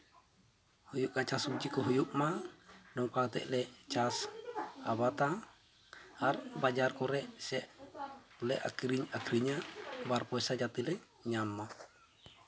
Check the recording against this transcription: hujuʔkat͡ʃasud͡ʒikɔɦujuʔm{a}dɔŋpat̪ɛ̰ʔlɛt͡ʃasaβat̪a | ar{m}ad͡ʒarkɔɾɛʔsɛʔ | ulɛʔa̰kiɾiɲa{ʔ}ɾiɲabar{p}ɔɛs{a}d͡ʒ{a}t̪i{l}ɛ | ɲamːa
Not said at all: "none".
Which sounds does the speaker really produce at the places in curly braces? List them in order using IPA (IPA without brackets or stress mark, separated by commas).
a, b, k, p, a, a, l